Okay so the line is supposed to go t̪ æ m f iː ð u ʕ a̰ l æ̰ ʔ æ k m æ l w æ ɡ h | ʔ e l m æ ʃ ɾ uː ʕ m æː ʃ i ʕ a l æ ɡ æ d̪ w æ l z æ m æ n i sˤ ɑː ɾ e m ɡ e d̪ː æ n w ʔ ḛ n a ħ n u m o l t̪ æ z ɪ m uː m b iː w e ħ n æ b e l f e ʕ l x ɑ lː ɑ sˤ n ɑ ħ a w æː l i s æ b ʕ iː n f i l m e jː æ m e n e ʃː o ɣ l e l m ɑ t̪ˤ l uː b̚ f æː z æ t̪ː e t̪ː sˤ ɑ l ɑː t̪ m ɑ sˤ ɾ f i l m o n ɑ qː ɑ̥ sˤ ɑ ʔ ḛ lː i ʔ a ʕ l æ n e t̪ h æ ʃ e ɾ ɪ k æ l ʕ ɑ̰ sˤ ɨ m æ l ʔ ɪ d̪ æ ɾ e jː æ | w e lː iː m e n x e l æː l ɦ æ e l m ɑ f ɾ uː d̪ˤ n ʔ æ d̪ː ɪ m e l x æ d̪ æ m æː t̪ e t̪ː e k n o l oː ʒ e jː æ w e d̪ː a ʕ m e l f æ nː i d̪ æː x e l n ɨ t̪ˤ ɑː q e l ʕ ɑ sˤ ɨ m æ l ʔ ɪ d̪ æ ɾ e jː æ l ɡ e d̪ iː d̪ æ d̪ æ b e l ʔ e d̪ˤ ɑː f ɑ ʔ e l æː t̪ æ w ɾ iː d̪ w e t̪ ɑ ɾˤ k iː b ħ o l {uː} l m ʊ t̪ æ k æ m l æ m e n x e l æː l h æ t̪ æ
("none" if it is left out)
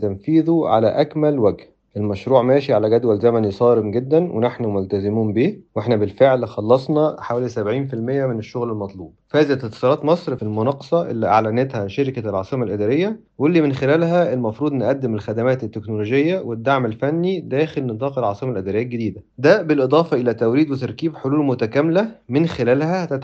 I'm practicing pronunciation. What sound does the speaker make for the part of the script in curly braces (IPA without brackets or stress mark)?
uː